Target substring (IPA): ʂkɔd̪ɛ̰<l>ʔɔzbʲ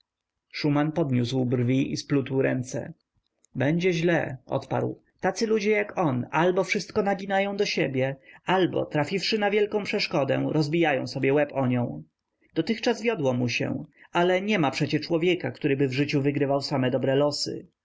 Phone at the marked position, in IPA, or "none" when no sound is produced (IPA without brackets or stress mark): ɾ